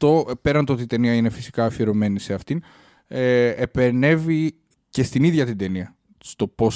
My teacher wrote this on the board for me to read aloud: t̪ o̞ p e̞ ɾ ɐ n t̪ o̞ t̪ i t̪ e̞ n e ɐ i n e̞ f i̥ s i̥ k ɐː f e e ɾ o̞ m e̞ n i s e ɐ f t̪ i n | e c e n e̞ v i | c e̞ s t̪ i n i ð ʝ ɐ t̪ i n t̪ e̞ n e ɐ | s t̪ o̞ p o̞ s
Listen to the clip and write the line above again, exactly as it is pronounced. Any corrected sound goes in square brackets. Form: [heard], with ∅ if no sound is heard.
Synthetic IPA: t̪ o̞ p e̞ ɾ ɐ n t̪ o̞ t̪ i t̪ e̞ n [i] ɐ i n e̞ f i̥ s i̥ k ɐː f [i] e ɾ o̞ m e̞ n i s e ɐ f t̪ i n | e [p] e n e̞ v i | c e̞ s t̪ i n i ð ʝ ɐ t̪ i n [d̪] e̞ n [i] ɐ | s t̪ o̞ p o̞ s